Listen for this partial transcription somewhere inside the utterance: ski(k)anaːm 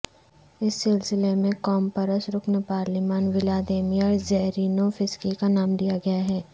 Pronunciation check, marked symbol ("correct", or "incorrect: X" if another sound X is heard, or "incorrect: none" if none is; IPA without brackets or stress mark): correct